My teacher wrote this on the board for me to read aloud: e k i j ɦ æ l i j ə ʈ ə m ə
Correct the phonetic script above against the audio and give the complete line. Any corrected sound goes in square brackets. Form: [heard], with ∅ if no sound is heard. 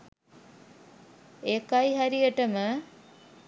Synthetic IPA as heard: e k [a] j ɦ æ [ɾ] i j ə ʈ ə m ə